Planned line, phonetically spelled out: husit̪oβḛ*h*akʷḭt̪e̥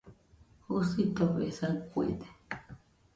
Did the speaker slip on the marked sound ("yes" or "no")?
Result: yes